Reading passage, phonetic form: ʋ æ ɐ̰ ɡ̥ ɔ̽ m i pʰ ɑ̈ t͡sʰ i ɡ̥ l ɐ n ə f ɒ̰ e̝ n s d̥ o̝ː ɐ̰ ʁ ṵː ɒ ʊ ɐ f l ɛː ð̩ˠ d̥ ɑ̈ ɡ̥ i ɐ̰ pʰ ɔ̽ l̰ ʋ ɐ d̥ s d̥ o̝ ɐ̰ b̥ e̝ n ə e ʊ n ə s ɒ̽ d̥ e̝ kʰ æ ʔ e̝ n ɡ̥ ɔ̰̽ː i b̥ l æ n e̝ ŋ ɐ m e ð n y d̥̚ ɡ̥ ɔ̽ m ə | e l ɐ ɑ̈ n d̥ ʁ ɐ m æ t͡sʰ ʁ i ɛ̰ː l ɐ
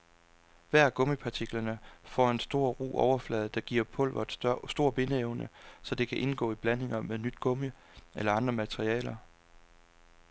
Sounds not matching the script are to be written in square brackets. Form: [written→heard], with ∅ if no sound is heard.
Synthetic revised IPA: ʋ æ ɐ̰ ɡ̥ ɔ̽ m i pʰ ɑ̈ t͡sʰ i ɡ̥ l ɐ n ə f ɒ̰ e̝ n s d̥ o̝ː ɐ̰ ʁ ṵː ɒ ʊ ɐ f l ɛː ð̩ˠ d̥ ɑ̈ ɡ̥ i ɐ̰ pʰ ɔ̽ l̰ ʋ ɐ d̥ s d̥ o̝ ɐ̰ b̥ e̝ n ə e ʊ n ə s ɒ̽ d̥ e̝ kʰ æ ʔ e̝ n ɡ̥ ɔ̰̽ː i b̥ l æ n e̝ ŋ ɐ m e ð n y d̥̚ ɡ̥ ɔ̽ m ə | e l ɐ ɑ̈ n d̥ ʁ ɐ m æ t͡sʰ ʁ i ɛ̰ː l ɐ